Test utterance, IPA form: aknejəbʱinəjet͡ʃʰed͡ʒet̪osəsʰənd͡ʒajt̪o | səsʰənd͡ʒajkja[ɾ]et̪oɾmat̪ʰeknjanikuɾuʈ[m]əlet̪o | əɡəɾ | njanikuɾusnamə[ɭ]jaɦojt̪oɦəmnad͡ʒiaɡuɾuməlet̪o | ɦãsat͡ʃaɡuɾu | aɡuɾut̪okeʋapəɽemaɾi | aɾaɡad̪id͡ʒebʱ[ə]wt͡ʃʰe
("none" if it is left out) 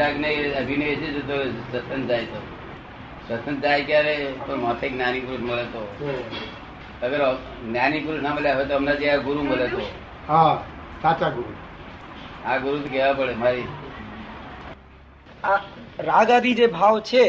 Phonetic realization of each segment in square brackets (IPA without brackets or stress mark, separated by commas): ɾ, m, l, a